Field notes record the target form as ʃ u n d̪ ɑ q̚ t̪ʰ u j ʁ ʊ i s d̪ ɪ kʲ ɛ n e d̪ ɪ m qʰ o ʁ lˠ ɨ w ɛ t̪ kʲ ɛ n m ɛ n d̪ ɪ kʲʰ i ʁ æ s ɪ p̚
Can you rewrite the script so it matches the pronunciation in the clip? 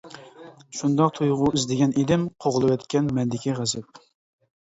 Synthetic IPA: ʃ u n d̪ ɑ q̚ t̪ʰ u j ʁ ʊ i z d̪ ɪ ɡʲ ɛ n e d̪ ɪ m qʰ o ʁ lˠ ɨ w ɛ t̪ kʲ ɛ n m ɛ n d̪ ɪ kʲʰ i ʁ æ z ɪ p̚